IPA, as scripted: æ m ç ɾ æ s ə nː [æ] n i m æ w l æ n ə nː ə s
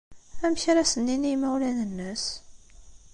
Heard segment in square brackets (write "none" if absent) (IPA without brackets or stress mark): i